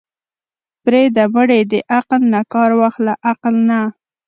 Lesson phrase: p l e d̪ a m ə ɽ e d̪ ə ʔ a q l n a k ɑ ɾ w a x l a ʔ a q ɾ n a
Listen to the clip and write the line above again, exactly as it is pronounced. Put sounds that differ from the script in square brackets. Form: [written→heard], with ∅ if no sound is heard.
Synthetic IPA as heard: p [l→ɾ] e d̪ a m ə ɽ e d̪ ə ʔ a q l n a k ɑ ɾ w a x l a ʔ a q [ɾ→l] n a